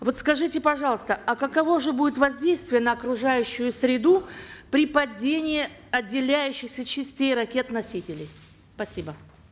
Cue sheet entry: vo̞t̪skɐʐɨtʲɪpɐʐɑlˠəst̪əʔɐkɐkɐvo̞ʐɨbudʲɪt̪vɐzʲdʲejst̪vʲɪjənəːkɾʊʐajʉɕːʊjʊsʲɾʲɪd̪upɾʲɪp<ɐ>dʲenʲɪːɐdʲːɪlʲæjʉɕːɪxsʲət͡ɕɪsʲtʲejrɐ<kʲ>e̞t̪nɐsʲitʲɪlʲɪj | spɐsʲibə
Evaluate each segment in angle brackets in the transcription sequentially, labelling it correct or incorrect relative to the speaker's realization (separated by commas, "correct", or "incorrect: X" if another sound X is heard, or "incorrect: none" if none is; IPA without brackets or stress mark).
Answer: correct, correct